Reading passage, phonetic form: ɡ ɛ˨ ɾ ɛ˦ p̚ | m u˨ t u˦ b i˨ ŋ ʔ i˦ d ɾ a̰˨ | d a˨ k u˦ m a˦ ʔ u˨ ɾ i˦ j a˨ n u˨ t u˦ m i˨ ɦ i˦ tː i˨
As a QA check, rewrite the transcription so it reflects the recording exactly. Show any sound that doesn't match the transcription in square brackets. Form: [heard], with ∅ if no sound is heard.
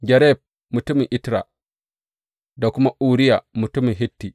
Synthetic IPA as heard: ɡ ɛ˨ ɾ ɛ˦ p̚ | m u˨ t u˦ [m] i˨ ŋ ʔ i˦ [t] ɾ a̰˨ | d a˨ k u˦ m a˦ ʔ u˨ ɾ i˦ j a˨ [m] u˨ t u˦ m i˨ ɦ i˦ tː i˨